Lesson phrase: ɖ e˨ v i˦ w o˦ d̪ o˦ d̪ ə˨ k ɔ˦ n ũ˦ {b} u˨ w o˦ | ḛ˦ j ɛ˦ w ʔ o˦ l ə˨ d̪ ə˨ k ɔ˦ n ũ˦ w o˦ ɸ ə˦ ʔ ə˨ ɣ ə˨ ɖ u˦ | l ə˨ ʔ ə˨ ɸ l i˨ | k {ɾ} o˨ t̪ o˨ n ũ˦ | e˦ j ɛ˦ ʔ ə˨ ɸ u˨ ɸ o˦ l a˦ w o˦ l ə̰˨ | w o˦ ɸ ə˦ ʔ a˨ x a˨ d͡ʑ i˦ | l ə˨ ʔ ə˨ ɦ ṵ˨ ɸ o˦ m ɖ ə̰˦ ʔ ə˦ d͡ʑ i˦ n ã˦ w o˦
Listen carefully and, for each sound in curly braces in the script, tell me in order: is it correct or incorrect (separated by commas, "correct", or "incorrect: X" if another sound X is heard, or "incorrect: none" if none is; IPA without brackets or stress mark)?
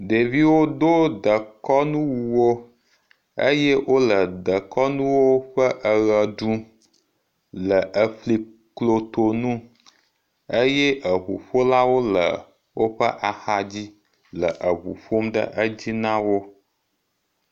incorrect: w, incorrect: l